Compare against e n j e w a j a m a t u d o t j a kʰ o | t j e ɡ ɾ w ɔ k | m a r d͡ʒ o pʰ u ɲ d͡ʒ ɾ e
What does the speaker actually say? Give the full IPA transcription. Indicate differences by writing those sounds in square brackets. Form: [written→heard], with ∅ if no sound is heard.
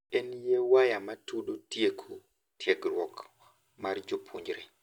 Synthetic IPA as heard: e n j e w a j a m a t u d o t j [a→e] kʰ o | t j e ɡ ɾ w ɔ k | m a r d͡ʒ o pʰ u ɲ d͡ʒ ɾ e